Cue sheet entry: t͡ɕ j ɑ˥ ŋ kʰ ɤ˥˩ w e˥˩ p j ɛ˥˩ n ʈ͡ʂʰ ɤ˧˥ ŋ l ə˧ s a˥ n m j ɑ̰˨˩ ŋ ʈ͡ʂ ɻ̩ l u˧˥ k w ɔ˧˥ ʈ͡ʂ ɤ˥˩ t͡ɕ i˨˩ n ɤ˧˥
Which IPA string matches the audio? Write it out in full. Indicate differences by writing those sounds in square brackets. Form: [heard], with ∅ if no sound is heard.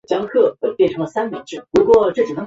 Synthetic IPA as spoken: t͡ɕ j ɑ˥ ŋ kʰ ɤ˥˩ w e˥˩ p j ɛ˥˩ n ʈ͡ʂʰ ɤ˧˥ ŋ l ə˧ s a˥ n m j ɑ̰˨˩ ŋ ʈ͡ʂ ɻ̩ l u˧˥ k w [ɔ˥˧] ʈ͡ʂ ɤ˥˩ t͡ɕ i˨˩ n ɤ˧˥